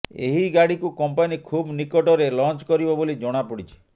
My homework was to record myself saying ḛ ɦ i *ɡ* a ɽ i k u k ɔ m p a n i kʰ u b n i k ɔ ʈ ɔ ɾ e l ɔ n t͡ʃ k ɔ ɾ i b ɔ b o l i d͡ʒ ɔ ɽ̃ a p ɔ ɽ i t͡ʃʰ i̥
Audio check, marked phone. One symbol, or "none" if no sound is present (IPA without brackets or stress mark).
ɡ